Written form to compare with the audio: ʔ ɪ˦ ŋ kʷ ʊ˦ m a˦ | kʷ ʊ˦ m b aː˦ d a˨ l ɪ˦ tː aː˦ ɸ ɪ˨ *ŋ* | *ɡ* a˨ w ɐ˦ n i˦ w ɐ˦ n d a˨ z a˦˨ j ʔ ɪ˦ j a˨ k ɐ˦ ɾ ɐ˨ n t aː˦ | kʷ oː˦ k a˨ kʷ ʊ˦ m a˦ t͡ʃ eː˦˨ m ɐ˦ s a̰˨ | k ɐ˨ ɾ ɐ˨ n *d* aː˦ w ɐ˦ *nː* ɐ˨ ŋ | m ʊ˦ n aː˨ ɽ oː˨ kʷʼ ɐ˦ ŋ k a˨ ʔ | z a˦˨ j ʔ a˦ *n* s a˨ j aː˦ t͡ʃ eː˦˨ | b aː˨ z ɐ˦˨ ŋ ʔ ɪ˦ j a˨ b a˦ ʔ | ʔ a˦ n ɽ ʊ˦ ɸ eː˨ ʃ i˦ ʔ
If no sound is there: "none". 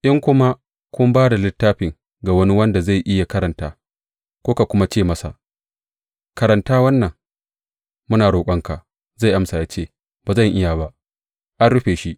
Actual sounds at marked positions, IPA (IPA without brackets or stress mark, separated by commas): ŋ, ɡ, t, nː, m